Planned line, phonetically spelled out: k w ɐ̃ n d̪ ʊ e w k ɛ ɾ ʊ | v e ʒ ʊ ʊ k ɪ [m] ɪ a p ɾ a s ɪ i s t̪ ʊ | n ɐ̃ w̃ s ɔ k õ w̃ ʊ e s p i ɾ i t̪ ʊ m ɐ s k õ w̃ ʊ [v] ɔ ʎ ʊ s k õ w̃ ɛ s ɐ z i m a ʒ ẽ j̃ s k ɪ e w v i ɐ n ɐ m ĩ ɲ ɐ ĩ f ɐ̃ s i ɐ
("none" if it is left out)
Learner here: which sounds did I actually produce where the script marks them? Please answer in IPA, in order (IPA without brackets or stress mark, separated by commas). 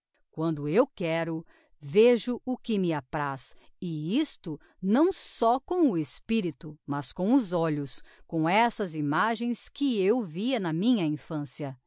m, z